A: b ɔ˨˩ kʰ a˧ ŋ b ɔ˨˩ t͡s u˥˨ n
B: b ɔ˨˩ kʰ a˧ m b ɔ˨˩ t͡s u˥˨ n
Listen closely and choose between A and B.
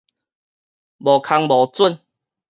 A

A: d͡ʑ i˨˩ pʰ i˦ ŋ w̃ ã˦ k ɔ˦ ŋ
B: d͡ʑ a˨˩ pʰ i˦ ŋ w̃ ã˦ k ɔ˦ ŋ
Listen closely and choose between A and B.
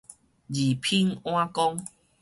A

